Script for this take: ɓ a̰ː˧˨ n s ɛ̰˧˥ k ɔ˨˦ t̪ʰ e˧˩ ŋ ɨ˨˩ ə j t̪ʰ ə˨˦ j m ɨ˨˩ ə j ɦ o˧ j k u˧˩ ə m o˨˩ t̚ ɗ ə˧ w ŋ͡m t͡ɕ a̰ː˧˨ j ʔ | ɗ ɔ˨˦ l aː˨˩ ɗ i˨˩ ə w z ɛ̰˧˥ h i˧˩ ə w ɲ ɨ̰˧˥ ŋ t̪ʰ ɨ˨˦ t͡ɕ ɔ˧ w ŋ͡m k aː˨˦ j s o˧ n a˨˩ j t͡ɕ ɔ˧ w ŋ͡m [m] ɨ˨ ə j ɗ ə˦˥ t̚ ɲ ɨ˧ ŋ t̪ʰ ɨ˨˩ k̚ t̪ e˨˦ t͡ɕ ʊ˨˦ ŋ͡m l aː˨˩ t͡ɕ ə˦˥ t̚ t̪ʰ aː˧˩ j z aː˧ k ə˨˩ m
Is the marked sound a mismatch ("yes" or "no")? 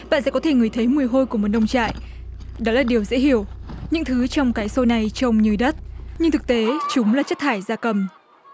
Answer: yes